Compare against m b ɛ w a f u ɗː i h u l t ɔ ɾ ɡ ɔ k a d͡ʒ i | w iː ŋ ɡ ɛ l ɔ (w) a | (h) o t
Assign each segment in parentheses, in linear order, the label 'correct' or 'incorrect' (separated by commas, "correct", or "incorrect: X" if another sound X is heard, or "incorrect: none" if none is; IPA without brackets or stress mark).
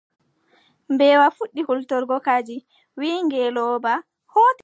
incorrect: b, correct